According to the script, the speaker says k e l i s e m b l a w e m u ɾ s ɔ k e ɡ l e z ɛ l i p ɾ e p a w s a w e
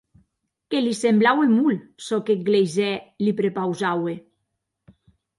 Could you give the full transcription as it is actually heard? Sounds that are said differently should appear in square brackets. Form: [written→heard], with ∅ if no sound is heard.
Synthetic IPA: k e l i s e m b l a w e m u [ɾ→l] s ɔ k e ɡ l e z ɛ l i p ɾ e p a w [s→z] a w e